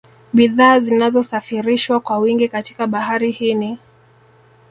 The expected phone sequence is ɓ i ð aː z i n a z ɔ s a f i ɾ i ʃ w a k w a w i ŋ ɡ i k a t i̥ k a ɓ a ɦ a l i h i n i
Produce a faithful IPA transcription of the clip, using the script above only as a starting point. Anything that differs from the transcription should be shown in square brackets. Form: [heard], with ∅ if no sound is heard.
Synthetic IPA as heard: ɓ i ð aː z i n a z ɔ s a f i ɾ i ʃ w a k w a w i ŋ ɡ i k a t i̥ k a ɓ a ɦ a [ɾ] i h i n i